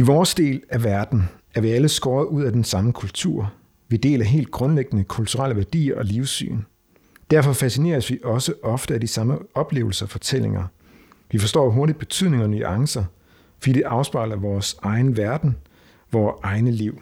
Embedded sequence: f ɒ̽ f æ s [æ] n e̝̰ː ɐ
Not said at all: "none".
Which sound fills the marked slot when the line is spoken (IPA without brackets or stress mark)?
i